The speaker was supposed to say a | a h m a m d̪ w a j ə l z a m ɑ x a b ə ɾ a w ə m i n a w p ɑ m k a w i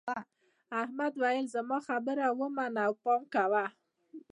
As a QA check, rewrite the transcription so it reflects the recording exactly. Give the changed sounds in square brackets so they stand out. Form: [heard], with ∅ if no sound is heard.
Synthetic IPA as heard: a | a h m a [∅] d̪ w a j ə l z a m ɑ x a b ə ɾ a w ə m [a] n a w p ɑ m k a w [a]

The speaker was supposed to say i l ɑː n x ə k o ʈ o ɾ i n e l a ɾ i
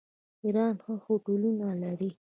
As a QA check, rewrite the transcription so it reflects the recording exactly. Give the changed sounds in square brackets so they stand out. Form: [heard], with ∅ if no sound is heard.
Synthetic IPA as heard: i [ɾ] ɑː n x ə [x] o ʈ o [l] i n [a] l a ɾ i

